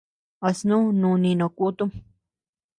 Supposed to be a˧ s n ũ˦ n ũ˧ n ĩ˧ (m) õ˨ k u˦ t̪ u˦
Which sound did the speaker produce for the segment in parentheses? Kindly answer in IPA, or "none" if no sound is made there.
n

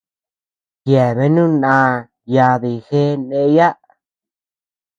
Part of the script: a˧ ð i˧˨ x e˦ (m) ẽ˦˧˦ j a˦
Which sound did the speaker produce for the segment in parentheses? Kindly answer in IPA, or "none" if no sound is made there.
n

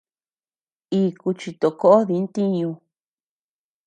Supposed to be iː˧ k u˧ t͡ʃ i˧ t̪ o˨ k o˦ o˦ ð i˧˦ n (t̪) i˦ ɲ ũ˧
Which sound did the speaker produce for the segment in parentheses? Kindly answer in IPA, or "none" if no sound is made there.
t̪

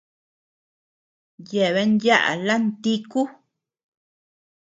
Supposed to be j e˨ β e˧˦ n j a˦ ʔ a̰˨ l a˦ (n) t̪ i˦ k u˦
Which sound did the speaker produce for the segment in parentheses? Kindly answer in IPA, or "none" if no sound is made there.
n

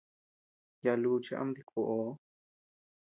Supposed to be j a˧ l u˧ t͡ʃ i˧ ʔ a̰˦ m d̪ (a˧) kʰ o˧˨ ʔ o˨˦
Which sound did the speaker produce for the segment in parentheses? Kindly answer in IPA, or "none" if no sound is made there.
i˧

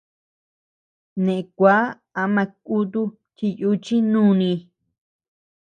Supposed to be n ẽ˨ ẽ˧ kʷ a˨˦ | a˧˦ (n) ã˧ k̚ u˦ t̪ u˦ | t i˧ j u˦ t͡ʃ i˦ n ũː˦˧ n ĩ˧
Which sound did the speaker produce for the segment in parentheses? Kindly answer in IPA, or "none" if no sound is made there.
m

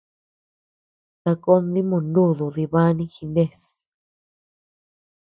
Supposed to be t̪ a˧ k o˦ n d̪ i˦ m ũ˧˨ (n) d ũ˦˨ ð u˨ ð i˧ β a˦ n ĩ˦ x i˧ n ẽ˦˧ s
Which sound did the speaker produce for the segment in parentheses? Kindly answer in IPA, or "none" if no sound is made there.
n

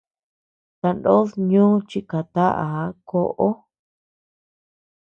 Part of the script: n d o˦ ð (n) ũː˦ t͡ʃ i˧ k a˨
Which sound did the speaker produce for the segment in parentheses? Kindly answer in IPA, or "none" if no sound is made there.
ɲ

